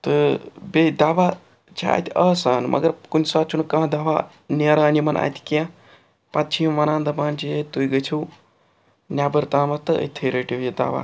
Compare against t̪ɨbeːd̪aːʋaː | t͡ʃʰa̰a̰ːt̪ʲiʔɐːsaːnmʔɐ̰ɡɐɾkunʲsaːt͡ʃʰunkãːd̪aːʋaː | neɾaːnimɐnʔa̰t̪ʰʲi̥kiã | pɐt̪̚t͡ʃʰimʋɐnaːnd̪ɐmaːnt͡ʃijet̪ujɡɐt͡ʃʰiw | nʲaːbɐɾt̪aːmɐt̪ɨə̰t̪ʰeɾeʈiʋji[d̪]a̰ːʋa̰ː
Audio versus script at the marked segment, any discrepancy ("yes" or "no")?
no